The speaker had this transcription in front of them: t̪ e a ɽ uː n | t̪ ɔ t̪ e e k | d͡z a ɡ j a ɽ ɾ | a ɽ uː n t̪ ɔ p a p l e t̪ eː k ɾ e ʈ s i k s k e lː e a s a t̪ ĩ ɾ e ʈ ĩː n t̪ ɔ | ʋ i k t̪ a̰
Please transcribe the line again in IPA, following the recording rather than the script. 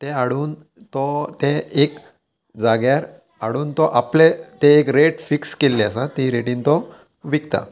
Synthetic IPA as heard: t̪ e a ɽ uː n | t̪ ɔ t̪ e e k | d͡z a ɡ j a ɾ | a ɽ uː n t̪ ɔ ʔ a p l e t̪ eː k ɾ e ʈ f i k s k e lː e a s a t̪ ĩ ɾ e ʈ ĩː n t̪ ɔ | ʋ i k t̪ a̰